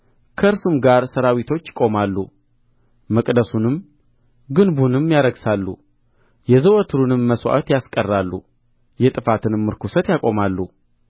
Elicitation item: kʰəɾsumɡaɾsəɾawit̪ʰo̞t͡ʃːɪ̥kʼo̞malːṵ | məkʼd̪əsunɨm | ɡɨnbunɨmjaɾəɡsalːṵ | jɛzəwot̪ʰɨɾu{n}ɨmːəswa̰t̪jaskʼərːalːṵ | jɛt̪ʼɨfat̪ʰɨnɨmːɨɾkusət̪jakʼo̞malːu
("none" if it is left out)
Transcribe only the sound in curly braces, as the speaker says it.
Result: n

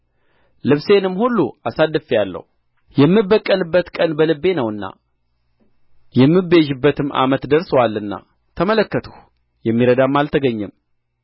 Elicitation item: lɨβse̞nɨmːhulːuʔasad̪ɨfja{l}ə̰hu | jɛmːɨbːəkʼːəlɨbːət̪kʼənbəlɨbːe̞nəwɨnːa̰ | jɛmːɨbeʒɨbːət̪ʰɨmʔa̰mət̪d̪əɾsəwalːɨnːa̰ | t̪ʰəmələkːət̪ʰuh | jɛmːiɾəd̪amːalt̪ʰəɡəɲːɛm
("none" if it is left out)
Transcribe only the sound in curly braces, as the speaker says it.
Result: lː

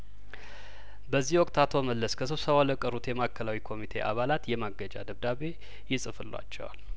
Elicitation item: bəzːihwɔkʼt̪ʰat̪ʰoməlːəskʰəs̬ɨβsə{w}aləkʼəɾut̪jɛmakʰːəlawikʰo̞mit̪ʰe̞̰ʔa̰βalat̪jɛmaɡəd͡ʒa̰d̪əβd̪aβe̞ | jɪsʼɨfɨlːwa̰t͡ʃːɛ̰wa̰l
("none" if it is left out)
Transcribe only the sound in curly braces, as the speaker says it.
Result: β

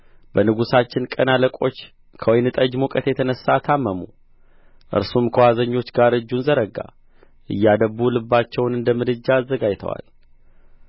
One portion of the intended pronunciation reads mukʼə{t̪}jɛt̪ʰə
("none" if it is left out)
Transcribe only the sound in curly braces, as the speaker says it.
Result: t̪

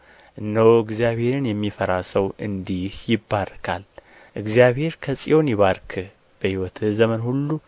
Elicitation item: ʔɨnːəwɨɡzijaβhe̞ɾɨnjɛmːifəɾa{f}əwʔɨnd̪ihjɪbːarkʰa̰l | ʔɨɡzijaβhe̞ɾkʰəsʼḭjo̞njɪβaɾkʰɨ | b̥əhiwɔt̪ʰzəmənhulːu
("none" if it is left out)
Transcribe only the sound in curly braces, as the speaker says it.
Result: s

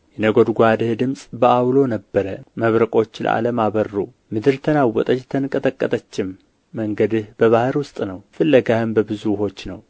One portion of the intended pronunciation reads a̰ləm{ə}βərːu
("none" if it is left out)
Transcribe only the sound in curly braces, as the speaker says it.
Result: a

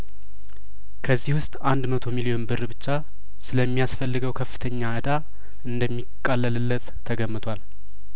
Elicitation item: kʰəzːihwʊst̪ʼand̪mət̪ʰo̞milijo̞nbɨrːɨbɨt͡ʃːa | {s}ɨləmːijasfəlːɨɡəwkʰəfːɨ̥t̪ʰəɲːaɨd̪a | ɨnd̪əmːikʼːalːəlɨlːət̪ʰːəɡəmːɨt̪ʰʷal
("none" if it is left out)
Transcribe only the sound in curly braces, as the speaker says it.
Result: s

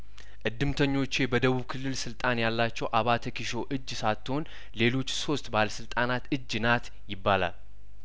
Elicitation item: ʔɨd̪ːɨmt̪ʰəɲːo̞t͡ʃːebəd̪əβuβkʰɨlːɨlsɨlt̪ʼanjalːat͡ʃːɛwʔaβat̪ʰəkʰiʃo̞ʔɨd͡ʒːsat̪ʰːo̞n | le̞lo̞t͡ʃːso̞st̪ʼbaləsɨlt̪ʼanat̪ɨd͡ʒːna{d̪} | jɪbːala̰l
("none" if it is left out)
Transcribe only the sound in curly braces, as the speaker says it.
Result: t̪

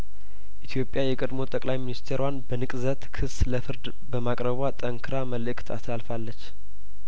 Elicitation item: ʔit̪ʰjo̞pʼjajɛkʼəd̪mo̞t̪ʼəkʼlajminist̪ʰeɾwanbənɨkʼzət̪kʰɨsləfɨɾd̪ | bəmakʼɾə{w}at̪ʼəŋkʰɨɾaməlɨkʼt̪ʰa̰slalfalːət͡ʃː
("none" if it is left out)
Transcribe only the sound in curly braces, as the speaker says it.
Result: β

